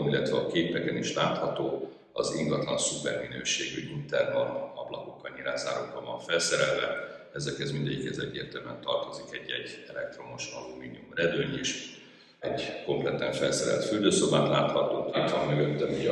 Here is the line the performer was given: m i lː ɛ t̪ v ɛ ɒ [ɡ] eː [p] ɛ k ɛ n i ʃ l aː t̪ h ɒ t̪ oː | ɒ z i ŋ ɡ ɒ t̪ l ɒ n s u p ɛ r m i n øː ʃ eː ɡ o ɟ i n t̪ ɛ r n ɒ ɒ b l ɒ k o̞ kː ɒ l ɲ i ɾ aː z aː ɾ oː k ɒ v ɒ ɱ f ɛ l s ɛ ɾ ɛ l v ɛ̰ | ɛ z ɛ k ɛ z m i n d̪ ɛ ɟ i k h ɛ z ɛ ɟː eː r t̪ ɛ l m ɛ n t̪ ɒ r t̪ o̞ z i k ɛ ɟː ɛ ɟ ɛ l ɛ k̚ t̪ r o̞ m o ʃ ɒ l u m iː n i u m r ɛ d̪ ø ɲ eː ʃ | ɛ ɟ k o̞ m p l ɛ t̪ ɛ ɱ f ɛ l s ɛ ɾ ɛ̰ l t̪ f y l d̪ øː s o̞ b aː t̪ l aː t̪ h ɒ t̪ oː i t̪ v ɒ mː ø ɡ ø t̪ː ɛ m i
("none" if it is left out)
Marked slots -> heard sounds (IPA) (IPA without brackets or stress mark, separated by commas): k, p